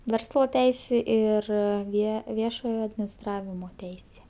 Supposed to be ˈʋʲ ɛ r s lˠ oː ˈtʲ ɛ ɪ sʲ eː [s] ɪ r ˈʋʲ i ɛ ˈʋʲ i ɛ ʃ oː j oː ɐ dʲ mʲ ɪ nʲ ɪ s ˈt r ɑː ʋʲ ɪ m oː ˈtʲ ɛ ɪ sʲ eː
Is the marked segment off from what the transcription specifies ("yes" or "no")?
yes